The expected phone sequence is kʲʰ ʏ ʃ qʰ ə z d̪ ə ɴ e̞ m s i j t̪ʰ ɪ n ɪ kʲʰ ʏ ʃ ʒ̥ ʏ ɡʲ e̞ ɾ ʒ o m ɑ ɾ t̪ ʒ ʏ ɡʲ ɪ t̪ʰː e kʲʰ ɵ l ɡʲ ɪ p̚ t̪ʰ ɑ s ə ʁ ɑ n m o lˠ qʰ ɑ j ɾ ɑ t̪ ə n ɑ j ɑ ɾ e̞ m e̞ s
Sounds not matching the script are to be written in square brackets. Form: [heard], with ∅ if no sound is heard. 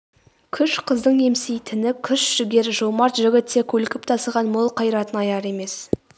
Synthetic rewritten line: kʲʰ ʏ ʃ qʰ ə z d̪ ə ɴ e̞ m s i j t̪ʰ ɪ n ɪ kʲʰ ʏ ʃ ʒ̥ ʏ ɡʲ e̞ ɾ ʒ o m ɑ ɾ t̪ ʒ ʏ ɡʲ ɪ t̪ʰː e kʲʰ ɵ l [kʲ] ɪ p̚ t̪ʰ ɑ s ə ʁ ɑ n m o lˠ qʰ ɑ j ɾ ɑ t̪ ə n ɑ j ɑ ɾ e̞ m e̞ s